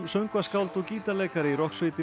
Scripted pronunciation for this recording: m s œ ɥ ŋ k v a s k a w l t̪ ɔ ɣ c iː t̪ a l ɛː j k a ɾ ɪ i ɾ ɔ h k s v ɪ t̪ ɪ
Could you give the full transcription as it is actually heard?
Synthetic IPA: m s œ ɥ ŋ k v a s k a w l t̪ ɔ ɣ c iː t̪ a l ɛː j k a ɾ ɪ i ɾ ɔ h k s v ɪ t̪ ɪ